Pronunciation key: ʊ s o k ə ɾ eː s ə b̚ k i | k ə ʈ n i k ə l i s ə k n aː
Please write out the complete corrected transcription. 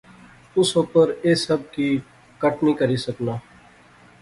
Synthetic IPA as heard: ʊ s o p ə ɾ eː s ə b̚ k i | k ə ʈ n i k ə ɾ i s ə k n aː